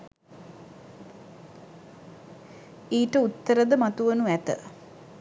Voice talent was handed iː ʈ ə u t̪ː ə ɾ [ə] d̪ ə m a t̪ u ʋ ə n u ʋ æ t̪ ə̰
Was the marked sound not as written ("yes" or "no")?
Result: no